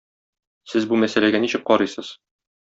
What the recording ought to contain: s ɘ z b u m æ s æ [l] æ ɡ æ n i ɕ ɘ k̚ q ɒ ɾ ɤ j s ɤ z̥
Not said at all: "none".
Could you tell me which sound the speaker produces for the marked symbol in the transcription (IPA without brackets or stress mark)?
l